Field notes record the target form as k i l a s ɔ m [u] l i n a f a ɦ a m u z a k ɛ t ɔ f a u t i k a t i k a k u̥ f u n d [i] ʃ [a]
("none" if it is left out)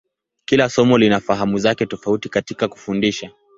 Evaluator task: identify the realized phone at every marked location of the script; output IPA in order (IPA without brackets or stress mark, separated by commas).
ɔ, i, a